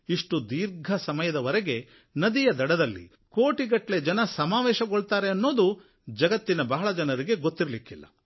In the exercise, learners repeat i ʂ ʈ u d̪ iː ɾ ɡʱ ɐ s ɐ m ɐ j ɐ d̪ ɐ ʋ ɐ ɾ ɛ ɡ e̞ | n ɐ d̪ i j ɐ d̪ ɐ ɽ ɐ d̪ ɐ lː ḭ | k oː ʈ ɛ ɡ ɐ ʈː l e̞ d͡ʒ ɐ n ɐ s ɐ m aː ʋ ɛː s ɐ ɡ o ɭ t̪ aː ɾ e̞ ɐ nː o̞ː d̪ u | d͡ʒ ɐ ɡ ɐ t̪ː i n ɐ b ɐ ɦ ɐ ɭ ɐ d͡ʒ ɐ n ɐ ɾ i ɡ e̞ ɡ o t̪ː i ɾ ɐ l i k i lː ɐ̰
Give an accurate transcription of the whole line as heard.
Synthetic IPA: i ʂ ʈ u d̪ iː ɾ ɡʱ ɐ s ɐ m ɐ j ɐ d̪ ɐ ʋ ɐ ɾ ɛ ɡ e̞ | n ɐ d̪ i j ɐ d̪ ɐ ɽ ɐ d̪ ɐ lː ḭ | k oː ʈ i ɡ ɐ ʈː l e̞ d͡ʒ ɐ n ɐ s ɐ m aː ʋ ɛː ʃ ɐ ɡ o ɭ t̪ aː ɾ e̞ ɐ nː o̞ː d̪ u | d͡ʒ ɐ ɡ ɐ t̪ː i n ɐ b ɐ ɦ ɐ ɭ ɐ d͡ʒ ɐ n ɐ ɾ i ɡ e̞ ɡ o t̪ː i ɾ ɐ l i k i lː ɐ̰